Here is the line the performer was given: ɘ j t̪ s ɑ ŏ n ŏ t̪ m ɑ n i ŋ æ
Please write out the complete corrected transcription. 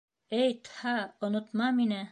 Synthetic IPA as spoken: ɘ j t̪ h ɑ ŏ n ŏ t̪ m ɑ m i n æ